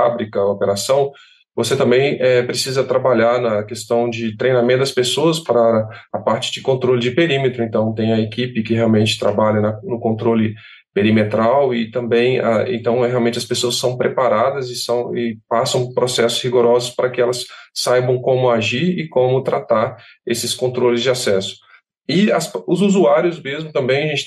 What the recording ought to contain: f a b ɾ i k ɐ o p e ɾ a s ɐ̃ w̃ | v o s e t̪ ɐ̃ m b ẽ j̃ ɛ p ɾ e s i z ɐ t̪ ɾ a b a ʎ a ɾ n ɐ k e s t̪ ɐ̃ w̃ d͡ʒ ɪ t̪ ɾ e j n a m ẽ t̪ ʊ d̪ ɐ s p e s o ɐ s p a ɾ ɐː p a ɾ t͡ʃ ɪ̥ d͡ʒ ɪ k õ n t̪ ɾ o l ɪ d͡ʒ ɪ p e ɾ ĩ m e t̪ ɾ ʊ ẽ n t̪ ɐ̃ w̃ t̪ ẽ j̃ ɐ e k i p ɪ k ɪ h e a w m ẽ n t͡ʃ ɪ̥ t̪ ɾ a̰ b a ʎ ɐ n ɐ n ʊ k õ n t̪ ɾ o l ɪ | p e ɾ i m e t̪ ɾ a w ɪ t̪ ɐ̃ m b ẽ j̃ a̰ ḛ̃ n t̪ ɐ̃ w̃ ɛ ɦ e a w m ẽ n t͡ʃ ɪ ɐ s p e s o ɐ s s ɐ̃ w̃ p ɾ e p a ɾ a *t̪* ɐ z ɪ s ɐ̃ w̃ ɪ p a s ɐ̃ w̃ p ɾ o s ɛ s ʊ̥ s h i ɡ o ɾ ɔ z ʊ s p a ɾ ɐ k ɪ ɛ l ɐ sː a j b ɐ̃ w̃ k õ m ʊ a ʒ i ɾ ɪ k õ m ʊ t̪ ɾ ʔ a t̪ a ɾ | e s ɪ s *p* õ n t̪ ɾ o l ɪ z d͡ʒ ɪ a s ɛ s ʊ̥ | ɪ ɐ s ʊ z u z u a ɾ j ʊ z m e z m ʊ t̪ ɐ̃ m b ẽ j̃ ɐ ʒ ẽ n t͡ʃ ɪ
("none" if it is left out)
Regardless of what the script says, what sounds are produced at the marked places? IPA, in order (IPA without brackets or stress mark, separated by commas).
d̪, k